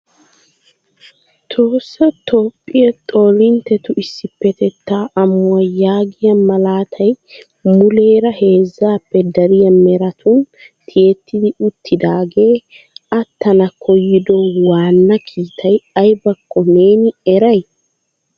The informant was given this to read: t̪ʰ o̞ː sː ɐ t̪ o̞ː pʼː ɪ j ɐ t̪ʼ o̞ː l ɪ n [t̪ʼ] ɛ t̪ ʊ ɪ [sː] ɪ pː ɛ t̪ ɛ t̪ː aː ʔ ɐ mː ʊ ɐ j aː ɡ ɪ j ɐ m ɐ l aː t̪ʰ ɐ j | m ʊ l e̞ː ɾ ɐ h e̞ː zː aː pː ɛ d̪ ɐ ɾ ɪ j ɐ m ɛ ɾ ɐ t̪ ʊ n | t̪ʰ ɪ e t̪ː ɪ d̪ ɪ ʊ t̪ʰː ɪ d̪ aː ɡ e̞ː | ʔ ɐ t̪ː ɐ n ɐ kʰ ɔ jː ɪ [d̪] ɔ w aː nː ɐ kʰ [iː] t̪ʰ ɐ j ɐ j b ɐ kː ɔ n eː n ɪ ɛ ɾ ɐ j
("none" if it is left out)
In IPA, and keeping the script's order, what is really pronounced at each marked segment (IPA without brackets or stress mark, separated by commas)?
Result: t̪, sː, d̪, iː